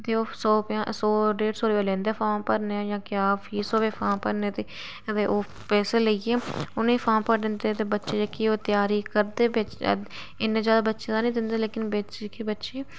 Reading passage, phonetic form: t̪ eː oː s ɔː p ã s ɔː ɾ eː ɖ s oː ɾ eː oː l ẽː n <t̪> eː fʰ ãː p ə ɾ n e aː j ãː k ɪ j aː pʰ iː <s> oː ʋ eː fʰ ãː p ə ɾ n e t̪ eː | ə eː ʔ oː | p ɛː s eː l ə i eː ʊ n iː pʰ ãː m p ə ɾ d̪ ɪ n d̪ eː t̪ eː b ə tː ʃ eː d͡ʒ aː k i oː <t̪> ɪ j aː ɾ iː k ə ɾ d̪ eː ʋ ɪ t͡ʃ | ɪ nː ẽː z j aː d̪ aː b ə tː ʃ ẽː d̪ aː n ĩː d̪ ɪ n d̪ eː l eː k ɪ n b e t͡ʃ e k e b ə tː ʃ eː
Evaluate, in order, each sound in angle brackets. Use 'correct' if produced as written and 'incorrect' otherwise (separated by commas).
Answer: incorrect, correct, correct